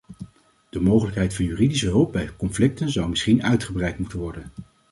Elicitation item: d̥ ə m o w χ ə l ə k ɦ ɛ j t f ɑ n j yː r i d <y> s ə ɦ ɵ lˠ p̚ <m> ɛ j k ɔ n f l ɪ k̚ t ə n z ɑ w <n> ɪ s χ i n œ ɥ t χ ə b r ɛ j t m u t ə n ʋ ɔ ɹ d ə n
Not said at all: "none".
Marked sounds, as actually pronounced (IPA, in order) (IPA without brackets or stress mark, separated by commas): i, b, m